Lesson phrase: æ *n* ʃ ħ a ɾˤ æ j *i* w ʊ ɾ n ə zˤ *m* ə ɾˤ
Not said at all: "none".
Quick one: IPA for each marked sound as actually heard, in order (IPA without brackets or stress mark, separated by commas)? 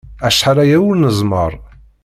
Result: none, æ, m